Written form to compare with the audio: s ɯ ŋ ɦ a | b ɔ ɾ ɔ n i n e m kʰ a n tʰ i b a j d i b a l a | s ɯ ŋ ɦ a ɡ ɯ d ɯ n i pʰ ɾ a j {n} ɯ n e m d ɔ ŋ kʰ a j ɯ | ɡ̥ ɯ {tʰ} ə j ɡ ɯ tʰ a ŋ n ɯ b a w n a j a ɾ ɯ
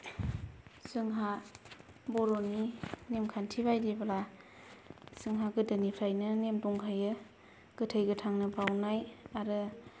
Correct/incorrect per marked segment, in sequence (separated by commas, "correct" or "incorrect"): correct, correct